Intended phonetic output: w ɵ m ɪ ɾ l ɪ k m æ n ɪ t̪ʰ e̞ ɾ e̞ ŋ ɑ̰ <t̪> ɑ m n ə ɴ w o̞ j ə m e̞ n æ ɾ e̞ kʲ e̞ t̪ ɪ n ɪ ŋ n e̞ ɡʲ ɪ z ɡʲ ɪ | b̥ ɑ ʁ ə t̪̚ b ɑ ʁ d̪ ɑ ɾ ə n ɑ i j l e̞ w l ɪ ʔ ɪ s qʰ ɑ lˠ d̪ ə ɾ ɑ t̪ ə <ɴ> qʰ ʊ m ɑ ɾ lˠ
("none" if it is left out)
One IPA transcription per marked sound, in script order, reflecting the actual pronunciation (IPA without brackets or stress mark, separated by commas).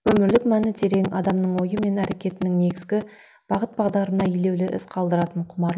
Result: d̪, ɴ